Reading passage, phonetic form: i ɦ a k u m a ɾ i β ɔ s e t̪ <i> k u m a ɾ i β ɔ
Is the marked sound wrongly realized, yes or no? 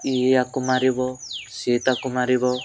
yes